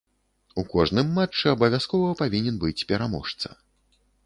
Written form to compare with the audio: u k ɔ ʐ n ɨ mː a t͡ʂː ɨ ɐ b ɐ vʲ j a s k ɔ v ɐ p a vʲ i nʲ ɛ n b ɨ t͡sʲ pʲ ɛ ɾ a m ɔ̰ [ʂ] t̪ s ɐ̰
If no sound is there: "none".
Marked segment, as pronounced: ʂ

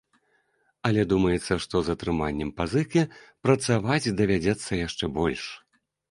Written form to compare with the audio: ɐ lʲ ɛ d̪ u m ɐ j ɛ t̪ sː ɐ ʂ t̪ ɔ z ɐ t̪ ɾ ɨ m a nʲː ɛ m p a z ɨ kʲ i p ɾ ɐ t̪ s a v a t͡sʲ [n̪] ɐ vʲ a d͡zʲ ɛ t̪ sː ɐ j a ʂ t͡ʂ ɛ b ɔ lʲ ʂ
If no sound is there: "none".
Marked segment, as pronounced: d̪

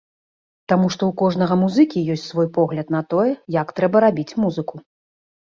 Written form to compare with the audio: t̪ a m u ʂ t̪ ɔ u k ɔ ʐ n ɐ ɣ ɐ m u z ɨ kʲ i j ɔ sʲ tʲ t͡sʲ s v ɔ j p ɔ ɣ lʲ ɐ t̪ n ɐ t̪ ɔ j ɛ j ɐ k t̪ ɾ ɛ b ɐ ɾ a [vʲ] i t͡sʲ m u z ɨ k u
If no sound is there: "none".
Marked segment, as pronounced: bʲ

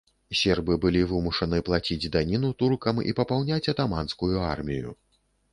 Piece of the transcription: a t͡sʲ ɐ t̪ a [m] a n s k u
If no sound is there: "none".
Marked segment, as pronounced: m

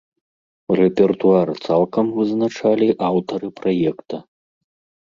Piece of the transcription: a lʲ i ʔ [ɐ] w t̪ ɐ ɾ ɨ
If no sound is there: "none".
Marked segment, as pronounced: a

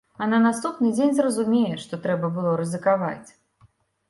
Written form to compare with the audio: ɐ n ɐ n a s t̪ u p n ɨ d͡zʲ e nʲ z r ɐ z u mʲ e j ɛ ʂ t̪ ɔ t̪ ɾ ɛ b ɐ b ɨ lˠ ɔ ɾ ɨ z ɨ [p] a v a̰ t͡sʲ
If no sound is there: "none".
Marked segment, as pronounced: k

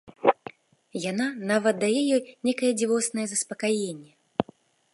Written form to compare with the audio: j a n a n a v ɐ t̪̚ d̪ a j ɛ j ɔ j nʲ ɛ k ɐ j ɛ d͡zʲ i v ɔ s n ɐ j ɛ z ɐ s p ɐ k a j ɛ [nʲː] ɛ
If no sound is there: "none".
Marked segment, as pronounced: nʲː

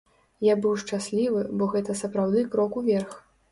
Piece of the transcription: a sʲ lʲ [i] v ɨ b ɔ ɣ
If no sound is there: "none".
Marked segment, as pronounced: i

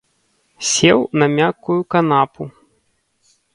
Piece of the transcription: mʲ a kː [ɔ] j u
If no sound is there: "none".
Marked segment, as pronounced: u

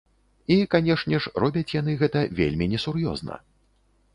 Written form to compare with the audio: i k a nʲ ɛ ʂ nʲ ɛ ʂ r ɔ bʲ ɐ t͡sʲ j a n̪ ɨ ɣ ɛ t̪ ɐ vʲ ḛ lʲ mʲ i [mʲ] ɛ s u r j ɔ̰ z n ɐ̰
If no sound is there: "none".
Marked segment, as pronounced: nʲ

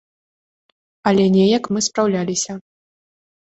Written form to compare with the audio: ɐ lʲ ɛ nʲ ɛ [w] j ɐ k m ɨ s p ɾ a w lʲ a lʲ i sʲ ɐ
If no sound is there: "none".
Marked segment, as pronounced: none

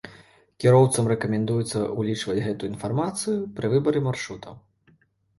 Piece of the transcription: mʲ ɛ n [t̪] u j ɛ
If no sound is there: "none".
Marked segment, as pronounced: d̪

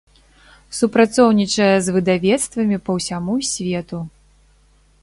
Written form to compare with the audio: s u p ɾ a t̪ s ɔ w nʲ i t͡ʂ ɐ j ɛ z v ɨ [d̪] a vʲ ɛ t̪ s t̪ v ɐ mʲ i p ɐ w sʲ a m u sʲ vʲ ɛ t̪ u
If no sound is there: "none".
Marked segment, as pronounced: d̪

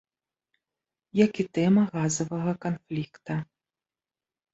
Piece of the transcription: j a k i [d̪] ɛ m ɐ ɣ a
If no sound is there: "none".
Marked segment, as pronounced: t̪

